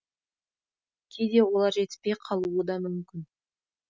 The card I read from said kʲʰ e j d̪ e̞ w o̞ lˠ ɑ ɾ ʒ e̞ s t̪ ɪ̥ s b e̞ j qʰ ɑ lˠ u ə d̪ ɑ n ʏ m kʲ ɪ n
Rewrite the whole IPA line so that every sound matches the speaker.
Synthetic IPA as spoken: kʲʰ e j d̪ e̞ w o̞ lˠ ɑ ɾ ʒ e̞ t̪ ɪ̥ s p e̞ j qʰ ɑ lˠ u ə d̪ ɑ m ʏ m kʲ ɪ n